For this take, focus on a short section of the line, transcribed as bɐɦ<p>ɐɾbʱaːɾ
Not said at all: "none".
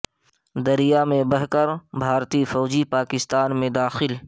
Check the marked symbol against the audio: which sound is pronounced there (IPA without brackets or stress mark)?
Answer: k